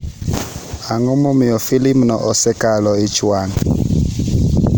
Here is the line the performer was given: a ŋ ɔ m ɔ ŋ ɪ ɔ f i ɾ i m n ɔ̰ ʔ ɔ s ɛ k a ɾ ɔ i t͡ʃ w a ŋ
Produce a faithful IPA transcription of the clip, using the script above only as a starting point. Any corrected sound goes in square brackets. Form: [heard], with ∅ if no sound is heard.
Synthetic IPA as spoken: a ŋ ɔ m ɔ [m] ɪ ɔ f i [l] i m n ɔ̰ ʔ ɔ s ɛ k a [l] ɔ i t͡ʃ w a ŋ